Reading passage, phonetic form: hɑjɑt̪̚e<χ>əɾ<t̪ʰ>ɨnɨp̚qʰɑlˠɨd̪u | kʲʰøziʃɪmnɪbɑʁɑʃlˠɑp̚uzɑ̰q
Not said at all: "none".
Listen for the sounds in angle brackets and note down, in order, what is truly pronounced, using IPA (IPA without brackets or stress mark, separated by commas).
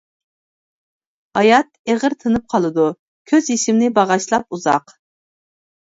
ʁ, t̪ʰ